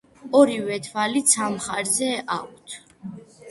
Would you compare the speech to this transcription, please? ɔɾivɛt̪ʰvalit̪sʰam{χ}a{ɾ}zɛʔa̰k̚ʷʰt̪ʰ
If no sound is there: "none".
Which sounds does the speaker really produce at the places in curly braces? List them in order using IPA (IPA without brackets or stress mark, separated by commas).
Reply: χ, ɾ